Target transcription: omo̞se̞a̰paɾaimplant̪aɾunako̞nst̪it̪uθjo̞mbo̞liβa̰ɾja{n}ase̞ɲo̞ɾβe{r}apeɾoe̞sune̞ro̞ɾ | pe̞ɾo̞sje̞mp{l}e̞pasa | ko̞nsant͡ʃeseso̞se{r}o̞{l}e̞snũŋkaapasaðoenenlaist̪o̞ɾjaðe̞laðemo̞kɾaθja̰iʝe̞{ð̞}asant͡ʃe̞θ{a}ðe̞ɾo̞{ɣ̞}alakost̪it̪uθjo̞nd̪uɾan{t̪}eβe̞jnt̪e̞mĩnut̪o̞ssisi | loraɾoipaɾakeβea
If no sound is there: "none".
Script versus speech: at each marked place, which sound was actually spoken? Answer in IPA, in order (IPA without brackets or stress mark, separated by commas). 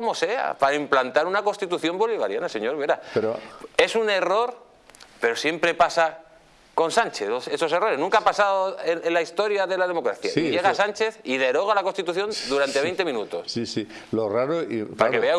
n, ɾ, ɾ, r, ɾ, ɣ̞, i, ɣ̞, t̪